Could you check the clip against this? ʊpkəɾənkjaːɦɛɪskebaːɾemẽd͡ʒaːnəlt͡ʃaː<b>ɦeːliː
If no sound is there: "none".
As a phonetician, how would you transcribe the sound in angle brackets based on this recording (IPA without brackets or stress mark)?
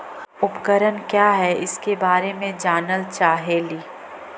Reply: none